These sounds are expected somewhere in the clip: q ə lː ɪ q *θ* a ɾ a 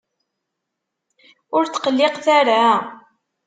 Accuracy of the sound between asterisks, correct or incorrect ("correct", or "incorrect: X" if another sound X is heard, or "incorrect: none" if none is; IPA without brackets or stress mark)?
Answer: correct